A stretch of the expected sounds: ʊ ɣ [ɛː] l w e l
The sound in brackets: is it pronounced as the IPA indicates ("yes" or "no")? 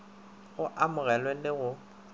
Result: no